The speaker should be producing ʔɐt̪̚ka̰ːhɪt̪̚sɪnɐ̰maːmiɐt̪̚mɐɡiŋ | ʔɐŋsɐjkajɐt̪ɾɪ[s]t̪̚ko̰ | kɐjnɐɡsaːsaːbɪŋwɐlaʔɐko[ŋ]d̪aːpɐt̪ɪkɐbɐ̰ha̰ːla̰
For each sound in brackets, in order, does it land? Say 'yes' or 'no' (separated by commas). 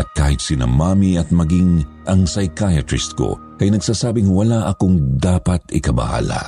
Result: yes, yes